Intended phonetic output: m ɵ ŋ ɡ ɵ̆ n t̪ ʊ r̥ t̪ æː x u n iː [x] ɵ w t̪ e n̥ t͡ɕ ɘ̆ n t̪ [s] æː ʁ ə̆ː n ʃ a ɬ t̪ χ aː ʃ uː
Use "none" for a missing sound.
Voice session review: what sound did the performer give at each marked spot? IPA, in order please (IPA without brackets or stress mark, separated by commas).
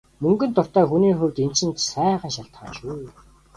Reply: x, s